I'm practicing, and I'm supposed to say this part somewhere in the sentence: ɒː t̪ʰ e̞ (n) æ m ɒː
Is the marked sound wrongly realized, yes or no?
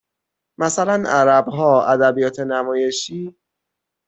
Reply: no